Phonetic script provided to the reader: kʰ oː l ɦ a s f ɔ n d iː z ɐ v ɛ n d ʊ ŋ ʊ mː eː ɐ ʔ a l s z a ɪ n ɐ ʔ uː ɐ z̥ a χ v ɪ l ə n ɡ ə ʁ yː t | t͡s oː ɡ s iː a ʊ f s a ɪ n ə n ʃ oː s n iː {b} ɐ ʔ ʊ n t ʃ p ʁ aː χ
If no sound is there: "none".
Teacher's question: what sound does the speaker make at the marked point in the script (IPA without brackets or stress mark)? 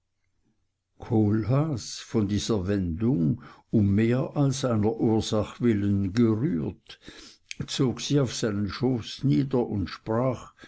d